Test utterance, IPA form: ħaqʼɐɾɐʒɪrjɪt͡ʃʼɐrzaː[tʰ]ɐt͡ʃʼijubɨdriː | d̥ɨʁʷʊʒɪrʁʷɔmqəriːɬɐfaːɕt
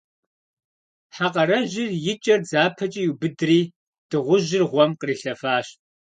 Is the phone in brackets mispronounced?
yes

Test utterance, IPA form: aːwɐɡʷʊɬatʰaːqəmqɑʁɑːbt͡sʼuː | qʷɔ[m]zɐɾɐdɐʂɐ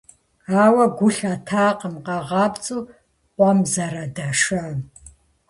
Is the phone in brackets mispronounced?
no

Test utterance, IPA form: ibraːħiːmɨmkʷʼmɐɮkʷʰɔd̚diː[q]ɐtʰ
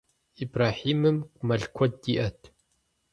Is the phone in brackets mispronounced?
yes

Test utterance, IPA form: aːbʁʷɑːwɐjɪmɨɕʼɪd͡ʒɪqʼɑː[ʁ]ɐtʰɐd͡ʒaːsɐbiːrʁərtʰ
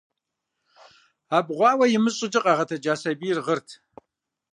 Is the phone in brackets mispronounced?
no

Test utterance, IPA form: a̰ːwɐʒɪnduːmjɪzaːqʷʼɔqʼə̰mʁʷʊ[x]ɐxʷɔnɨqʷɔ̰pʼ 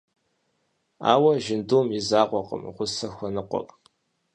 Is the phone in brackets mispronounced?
yes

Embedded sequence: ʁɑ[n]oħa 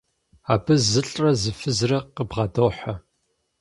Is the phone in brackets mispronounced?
yes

